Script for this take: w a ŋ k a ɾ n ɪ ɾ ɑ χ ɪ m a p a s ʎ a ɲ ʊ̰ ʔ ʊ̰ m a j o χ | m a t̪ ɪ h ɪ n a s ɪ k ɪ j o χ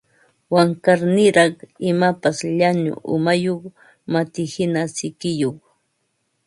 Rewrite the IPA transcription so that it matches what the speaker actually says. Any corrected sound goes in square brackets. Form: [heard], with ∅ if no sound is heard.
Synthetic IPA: w a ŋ k a ɾ n ɪ ɾ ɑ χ ɪ m a p a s ʎ a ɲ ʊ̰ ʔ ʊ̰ m a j o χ | m a t̪ ɪ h ɪ n a s ɪ k ɪ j o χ